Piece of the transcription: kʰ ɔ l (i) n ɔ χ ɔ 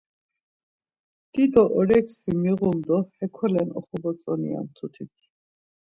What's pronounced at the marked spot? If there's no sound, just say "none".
ɛ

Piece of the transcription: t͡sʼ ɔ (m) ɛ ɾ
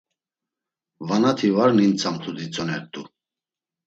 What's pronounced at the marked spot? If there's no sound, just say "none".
n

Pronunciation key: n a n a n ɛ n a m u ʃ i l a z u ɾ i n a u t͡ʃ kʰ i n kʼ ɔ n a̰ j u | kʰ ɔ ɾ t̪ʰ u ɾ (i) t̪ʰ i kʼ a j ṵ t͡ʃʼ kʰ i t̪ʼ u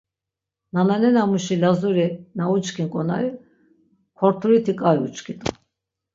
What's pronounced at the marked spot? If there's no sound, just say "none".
i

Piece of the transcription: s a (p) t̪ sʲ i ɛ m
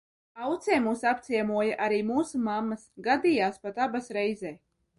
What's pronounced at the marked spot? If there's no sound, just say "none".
p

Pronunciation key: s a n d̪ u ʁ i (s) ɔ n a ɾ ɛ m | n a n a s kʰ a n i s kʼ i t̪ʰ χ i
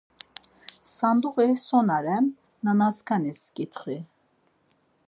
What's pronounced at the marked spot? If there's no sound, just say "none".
s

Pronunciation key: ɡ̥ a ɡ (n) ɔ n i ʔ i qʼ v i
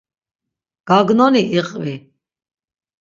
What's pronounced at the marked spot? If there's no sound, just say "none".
n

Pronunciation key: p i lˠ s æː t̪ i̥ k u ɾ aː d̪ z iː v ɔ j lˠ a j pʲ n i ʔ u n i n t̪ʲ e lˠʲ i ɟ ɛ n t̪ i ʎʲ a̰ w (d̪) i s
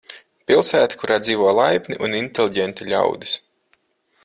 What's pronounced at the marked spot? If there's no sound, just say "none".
d̪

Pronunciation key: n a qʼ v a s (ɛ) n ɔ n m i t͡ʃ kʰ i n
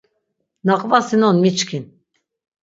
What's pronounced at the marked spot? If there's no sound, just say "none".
i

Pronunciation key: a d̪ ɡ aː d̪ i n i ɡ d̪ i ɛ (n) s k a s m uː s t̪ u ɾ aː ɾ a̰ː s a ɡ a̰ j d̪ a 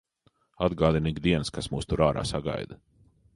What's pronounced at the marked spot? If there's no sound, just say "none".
n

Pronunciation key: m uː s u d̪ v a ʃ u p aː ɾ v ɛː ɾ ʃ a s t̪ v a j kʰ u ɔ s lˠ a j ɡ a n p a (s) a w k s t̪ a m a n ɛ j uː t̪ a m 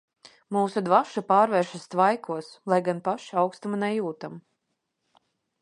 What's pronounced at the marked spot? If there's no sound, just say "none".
ʃ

